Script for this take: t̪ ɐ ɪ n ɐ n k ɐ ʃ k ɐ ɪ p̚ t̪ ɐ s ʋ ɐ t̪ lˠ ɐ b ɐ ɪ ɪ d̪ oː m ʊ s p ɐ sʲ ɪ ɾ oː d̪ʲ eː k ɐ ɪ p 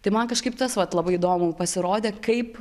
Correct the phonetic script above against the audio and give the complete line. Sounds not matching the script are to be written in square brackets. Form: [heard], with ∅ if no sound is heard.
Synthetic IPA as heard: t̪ ɐ ɪ [m] ɐ n k ɐ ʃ k ɐ ɪ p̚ t̪ ɐ s ʋ ɐ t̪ lˠ ɐ b ɐ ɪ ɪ d̪ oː m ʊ [∅] p ɐ sʲ ɪ ɾ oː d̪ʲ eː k ɐ ɪ p